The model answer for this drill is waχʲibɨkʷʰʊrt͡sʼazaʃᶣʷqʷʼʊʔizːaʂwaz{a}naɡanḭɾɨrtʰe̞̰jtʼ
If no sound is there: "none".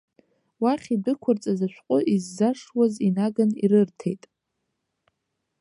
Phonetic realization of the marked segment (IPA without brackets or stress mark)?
i